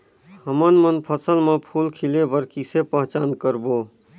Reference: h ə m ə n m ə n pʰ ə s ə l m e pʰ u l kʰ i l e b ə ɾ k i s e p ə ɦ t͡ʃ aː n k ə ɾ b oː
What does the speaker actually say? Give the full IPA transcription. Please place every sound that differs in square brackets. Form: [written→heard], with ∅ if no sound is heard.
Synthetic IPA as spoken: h ə m ə n m ə n pʰ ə s ə l m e pʰ u l kʰ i l e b ə ɾ k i s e p ə ɦ t͡ʃ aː n k ə ɾ b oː